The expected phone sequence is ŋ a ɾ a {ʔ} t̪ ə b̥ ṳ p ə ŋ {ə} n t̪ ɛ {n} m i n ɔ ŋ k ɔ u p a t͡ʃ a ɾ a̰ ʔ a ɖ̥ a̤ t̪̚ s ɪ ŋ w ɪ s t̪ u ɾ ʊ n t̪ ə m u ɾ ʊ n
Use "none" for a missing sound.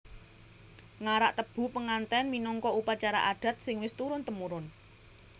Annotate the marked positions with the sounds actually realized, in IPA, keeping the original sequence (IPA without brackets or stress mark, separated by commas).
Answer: ʔ, a, n